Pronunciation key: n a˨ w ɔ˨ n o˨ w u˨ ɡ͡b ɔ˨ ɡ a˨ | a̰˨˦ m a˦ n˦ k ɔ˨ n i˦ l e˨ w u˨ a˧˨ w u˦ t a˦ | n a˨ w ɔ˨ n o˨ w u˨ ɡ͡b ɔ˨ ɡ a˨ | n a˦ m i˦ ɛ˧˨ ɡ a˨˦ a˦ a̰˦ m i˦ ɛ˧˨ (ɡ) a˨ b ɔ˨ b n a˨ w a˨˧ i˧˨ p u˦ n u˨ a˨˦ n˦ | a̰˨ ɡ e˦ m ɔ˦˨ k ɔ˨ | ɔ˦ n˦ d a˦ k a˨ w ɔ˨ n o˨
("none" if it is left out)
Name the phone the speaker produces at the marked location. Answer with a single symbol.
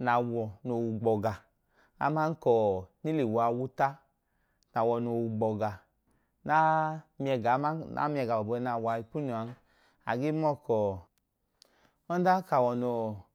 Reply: ɡ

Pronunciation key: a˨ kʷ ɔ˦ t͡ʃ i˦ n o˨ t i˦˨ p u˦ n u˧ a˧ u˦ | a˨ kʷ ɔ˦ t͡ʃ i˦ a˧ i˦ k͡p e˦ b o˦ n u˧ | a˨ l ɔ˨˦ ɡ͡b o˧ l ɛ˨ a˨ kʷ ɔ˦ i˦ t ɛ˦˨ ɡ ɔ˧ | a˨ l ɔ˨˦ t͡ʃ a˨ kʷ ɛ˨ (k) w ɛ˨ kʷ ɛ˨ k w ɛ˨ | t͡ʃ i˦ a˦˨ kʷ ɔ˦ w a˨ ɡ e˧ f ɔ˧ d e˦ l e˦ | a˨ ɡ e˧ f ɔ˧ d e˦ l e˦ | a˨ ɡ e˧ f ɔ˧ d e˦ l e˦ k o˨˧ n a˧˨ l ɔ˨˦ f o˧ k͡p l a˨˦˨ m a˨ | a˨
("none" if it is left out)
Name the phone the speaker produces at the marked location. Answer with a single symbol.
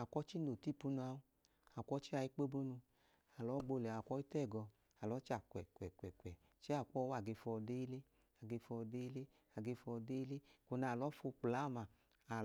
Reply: k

